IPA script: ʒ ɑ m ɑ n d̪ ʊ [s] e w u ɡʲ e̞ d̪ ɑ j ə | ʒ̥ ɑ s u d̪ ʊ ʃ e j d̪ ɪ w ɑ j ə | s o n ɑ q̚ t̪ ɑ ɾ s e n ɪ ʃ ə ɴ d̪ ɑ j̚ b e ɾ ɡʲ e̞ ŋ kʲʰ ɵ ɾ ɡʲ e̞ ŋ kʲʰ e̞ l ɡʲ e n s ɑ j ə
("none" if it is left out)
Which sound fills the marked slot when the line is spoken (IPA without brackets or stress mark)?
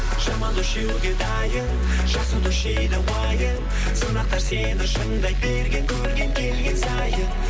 ʃ